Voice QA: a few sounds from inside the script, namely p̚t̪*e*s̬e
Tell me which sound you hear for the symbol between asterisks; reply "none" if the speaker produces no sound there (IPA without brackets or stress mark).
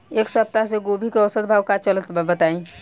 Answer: a